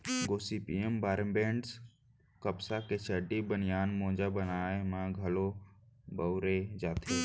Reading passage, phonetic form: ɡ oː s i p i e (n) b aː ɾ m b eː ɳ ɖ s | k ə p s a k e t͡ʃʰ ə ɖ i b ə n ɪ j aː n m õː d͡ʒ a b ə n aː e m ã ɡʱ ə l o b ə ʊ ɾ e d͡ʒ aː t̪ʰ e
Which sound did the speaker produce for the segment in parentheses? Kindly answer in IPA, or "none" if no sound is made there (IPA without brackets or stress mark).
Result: m